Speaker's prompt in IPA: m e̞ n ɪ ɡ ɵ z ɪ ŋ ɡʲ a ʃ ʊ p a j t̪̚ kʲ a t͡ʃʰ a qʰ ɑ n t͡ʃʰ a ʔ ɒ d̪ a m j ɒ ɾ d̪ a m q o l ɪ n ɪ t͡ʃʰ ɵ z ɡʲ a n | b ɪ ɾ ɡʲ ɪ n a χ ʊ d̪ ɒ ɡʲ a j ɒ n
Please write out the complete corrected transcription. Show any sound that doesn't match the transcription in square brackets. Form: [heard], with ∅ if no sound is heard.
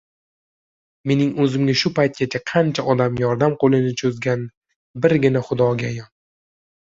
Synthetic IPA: m e̞ n ɪ [ŋ] ɵ z ɪ [m] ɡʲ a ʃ ʊ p a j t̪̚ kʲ a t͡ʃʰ a qʰ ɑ n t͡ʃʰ a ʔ ɒ d̪ a m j ɒ ɾ d̪ a m q o l ɪ n ɪ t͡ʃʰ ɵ z ɡʲ a n | b ɪ ɾ ɡʲ ɪ n a χ ʊ d̪ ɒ ɡʲ a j ɒ n